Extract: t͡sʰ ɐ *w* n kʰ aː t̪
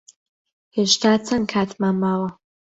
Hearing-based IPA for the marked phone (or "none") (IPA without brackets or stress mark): none